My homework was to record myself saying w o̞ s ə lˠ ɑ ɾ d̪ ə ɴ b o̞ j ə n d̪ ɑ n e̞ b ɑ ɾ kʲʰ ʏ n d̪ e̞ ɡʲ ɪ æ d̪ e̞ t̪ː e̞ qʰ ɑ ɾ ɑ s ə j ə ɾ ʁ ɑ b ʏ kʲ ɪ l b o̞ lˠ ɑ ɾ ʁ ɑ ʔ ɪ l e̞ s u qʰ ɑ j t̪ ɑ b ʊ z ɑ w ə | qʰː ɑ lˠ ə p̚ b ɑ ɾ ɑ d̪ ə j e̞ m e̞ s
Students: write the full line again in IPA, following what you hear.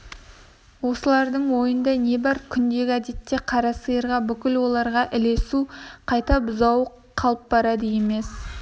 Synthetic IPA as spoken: w o̞ s ə lˠ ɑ ɾ d̪ ə ɴ w o̞ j ə n d̪ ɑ n e̞ b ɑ ɾ kʲʰ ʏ n d̪ e̞ ɡʲ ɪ æ d̪ e̞ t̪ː e̞ qʰ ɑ ɾ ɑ s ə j ə ɾ ʁ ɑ b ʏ kʲ ɪ l w o̞ lˠ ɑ ɾ ʁ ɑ ʔ ɪ l e̞ s u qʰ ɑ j t̪ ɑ b ʊ z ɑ w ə | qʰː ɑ lˠ ə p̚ b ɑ ɾ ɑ d̪ ə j e̞ m e̞ s